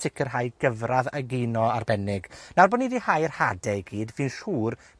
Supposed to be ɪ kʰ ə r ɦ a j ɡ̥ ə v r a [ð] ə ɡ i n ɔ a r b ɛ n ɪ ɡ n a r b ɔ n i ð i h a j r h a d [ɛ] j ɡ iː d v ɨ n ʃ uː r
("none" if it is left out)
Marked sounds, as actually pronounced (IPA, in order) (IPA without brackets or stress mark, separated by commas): ð, ɛ